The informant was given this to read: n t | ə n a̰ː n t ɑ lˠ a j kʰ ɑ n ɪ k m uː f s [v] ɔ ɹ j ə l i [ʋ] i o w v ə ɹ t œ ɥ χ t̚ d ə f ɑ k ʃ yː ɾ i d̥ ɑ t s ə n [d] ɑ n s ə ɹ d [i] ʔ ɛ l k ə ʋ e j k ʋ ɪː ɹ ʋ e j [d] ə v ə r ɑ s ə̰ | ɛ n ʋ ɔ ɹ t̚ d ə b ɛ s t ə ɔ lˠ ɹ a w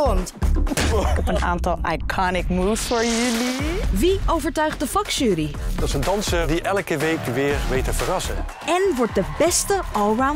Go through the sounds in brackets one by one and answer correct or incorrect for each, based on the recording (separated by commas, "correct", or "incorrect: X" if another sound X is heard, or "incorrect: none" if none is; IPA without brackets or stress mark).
incorrect: f, correct, correct, correct, incorrect: t